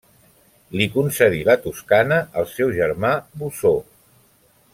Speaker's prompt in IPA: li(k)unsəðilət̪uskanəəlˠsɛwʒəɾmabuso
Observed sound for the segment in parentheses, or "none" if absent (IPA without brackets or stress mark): k